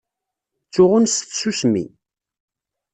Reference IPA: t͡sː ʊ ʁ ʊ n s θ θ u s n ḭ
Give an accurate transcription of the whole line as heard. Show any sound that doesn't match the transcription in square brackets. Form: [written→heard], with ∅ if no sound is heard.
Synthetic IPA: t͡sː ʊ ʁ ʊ n s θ [θ→s] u s [n→m] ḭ